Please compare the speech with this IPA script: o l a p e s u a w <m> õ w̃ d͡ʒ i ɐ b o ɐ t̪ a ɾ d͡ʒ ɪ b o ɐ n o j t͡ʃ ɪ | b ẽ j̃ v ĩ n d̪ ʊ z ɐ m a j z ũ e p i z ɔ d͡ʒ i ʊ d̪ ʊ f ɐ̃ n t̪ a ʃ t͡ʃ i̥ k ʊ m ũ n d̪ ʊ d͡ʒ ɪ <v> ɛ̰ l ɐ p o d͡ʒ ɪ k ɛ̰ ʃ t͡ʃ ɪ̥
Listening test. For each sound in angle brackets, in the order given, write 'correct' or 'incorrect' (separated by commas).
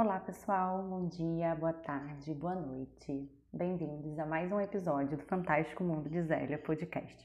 incorrect, incorrect